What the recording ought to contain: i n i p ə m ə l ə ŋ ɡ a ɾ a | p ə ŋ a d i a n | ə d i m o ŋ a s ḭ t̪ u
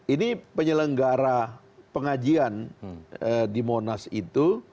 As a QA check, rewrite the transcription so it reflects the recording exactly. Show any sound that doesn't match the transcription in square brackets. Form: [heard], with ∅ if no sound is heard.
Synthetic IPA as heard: i n i p ə [ɲ] ə l ə ŋ ɡ a ɾ a | p ə ŋ a [d͡ʒ] i a n | ə d i m o [n] a s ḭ t̪ u